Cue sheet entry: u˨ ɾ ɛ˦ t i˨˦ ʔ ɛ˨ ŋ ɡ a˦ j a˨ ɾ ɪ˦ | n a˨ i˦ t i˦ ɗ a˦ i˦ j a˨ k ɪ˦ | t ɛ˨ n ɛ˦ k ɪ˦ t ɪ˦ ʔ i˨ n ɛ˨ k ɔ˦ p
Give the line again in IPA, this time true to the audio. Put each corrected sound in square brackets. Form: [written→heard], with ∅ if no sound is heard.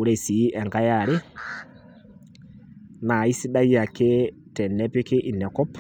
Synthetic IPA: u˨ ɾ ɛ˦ [t→s] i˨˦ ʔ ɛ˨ ŋ ɡ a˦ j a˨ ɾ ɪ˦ | n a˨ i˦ [t→s] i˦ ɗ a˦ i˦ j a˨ k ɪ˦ | t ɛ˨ n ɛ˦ [k→p] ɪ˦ [t→k] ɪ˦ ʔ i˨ n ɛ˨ k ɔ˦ p